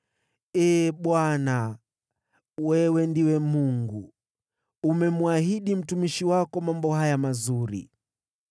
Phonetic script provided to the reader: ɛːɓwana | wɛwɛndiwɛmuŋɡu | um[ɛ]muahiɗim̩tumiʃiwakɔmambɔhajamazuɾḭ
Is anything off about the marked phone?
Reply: no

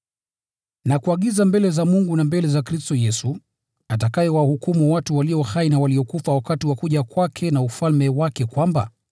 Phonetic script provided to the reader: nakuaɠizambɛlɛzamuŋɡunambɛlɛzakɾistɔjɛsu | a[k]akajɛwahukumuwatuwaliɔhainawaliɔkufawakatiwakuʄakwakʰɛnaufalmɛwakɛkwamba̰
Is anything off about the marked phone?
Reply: yes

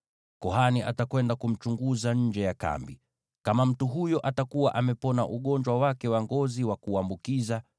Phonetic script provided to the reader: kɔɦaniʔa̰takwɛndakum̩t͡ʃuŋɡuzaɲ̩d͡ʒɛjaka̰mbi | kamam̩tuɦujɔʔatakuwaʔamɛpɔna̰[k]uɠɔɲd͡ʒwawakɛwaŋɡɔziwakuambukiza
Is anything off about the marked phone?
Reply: yes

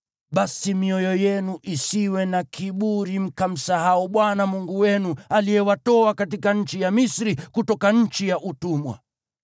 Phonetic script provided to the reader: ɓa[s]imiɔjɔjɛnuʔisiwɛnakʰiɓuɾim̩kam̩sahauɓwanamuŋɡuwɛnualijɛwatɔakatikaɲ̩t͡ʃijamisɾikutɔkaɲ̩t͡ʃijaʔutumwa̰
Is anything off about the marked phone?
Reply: no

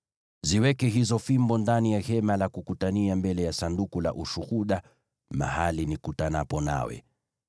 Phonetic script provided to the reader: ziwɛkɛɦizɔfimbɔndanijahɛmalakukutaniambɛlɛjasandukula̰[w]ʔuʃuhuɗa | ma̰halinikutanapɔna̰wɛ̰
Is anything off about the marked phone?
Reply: yes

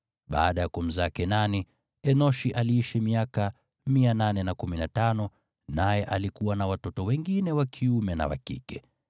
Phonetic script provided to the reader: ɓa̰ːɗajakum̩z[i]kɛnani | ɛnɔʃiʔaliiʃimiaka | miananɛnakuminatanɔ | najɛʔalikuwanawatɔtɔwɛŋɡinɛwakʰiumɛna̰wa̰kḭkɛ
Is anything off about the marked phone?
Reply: yes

